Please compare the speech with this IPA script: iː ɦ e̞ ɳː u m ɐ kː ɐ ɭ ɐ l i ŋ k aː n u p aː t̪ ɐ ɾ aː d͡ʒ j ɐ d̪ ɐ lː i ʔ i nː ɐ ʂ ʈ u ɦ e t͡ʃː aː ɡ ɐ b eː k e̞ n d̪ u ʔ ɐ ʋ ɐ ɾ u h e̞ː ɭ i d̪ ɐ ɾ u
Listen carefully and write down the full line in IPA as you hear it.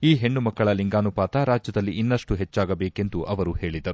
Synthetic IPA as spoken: iː ɦ e̞ ɳː u m ɐ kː ɐ ɭ ɐ l i ŋ ɡ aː n u p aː t̪ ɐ ɾ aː d͡ʒ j ɐ d̪ ɐ lː i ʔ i nː ɐ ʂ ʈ u ɦ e t͡ʃː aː ɡ ɐ b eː k e̞ n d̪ u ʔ ɐ ʋ ɐ ɾ u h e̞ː ɭ i d̪ ɐ ɾ u